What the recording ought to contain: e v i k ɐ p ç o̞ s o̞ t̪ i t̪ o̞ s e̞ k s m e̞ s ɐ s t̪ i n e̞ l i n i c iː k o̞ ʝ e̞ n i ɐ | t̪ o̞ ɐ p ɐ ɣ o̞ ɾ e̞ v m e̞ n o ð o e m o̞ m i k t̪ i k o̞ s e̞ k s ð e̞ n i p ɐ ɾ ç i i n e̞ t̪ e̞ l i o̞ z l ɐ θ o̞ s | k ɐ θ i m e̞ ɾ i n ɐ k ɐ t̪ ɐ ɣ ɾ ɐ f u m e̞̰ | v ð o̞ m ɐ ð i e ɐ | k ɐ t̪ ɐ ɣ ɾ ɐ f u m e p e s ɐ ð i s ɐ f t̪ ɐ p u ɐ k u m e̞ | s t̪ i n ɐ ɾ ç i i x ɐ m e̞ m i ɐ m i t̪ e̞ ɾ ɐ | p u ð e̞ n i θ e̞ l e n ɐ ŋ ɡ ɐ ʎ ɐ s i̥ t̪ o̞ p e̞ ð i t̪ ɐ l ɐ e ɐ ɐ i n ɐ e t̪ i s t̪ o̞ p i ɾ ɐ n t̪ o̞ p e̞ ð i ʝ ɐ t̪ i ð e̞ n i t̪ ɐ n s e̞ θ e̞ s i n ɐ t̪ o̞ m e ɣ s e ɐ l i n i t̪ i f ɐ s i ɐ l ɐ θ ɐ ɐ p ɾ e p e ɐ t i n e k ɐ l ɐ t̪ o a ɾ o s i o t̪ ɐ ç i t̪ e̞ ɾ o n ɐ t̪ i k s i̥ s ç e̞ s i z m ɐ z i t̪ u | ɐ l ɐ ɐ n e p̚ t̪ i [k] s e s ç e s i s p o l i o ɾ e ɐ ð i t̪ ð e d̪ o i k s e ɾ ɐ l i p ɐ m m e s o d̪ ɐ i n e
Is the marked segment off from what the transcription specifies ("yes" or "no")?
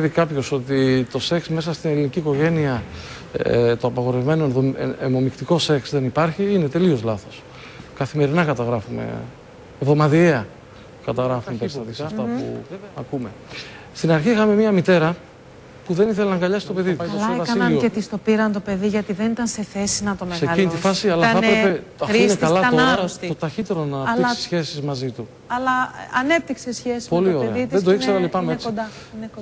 no